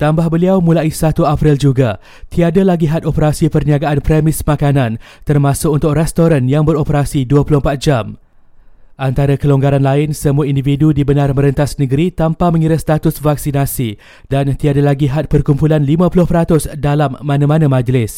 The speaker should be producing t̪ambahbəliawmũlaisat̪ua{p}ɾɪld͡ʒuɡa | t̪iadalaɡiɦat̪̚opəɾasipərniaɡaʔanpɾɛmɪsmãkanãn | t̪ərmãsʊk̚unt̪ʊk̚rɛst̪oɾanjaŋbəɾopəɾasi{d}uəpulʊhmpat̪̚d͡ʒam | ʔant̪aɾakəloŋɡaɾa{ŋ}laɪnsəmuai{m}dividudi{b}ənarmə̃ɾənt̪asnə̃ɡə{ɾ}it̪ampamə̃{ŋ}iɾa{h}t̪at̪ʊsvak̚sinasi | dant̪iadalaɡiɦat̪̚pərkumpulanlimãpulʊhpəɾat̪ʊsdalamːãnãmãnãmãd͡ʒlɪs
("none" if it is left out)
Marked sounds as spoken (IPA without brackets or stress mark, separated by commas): p, d, n, n, b, ɾ, ŋ, s